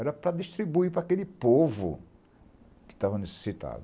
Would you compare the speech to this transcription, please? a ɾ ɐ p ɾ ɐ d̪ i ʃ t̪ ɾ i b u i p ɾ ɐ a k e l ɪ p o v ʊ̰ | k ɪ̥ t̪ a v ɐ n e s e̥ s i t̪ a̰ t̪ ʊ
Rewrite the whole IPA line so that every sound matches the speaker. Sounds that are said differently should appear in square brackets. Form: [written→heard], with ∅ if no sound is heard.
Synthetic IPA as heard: [a→ɛ] ɾ ɐ p ɾ ɐ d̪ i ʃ t̪ ɾ i b u i p ɾ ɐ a k e l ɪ p o v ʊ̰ | k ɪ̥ t̪ a v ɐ n e s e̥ s i t̪ a̰ [t̪→d̪] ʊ

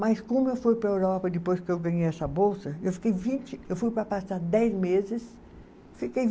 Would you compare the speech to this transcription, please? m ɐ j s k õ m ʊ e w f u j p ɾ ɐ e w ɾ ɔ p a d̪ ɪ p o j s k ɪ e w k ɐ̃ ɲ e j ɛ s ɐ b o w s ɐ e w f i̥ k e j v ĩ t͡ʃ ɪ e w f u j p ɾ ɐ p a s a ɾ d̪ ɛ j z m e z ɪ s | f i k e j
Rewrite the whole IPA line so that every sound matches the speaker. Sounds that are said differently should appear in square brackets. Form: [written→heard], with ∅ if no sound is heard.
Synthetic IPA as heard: m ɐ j s k õ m ʊ e w f u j p ɾ ɐ e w ɾ ɔ p [a→ɐ] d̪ ɪ p o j s k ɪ e w [k→ɡ] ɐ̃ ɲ e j ɛ s ɐ b o w s ɐ e w f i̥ k e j v ĩ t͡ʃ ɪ e w f u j p ɾ ɐ p a s a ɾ d̪ ɛ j z m e z ɪ s | f i k e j

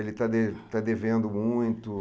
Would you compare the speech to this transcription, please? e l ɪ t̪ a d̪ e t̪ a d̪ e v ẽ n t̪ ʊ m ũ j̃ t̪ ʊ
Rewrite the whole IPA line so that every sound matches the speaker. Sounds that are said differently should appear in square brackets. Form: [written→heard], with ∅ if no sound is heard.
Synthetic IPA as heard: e l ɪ t̪ a d̪ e t̪ a d̪ e v ẽ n [t̪→d̪] ʊ m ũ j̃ t̪ ʊ

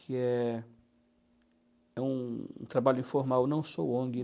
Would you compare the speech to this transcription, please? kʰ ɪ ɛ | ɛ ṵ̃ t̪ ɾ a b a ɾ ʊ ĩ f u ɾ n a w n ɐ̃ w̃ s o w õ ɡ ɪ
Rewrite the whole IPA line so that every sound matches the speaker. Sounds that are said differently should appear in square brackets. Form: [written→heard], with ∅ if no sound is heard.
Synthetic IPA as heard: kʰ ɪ ɛ | ɛ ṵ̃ t̪ ɾ a b a [ɾ→ʎ] ʊ ĩ f [u→o] ɾ [n→m] a w n ɐ̃ w̃ s o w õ ɡ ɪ

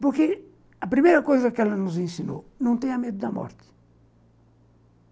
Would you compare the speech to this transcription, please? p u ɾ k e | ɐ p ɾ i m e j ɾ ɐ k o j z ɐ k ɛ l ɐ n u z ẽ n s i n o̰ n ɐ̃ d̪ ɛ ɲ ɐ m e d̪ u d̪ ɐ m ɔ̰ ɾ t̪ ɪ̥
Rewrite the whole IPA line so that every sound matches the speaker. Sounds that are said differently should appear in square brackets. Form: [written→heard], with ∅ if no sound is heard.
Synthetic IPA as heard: p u ɾ k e | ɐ p ɾ i m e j ɾ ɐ k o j z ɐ k ɛ l ɐ n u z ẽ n s i n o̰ n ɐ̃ [d̪→t̪] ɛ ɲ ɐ m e d̪ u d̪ ɐ m ɔ̰ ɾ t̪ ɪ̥

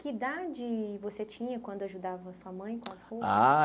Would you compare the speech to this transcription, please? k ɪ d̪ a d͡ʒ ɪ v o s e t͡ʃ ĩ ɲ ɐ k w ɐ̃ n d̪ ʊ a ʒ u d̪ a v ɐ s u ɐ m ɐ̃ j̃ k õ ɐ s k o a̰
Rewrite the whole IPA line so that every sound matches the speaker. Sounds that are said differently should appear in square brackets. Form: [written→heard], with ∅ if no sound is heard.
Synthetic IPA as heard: k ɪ d̪ a d͡ʒ ɪ v o s e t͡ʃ ĩ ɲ ɐ k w ɐ̃ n d̪ ʊ a ʒ u d̪ a v ɐ s u ɐ m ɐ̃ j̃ k õ ɐ s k o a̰

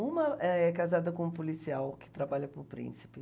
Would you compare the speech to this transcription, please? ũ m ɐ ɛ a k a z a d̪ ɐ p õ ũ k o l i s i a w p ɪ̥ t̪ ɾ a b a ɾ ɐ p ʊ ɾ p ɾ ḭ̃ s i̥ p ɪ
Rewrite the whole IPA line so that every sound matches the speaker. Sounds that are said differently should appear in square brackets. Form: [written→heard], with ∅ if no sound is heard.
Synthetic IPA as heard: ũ m ɐ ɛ [a→ɛ] k a z a d̪ ɐ [p→k] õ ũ [k→p] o l i s i a w [p→k] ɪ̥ t̪ ɾ a b a [ɾ→ʎ] ɐ p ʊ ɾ p ɾ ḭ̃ s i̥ p ɪ

